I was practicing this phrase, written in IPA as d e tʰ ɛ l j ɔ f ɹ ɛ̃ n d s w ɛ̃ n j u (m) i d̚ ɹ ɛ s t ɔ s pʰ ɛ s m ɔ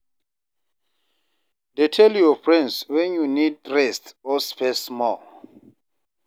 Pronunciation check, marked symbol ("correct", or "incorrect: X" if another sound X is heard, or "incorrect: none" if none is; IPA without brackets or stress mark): incorrect: n